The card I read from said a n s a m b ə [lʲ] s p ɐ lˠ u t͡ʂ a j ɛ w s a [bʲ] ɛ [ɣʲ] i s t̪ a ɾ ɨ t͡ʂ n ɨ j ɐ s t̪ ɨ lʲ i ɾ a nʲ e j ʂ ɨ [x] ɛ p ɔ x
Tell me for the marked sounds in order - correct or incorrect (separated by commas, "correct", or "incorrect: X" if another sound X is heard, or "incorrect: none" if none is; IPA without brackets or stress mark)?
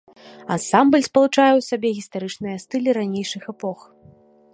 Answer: correct, correct, correct, correct